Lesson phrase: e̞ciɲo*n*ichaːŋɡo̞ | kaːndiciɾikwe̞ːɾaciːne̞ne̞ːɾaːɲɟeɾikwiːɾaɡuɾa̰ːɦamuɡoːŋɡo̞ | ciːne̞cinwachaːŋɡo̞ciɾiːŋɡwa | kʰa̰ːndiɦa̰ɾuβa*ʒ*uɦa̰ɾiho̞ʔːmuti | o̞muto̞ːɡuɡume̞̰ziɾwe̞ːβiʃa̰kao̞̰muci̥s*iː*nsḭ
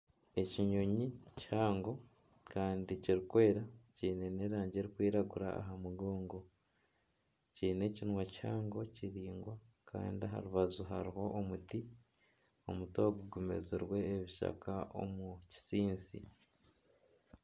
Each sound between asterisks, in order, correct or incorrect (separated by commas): incorrect, incorrect, correct